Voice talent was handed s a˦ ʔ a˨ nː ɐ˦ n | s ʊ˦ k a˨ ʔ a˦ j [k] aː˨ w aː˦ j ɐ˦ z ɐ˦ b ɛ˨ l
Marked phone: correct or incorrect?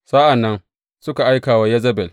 correct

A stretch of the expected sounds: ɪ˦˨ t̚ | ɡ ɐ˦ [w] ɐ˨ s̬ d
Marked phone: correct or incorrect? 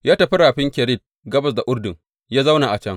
incorrect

